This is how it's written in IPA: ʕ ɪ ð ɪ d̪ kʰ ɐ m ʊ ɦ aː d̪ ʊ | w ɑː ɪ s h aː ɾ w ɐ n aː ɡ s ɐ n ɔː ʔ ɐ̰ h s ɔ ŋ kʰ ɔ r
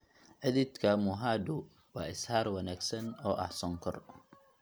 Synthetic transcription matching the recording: ʕ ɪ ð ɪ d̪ kʰ ɐ m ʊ ɦ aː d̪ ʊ | w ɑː ɪ s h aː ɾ w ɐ n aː ɡ s ɐ n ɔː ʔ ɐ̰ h s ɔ ŋ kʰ ɔ r